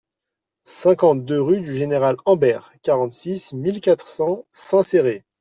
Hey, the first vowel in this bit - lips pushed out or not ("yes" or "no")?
no